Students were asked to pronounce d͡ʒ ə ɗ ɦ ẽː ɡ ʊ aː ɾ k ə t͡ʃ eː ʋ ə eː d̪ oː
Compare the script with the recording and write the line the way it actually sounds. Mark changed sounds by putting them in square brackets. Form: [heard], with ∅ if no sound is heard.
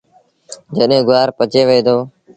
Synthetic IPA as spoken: d͡ʒ ə ɗ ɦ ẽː ɡ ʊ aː ɾ [p] ə t͡ʃ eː ʋ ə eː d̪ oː